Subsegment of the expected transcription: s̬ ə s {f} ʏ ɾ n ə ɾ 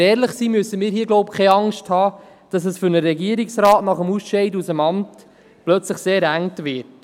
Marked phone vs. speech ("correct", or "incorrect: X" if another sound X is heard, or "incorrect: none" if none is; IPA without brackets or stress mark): correct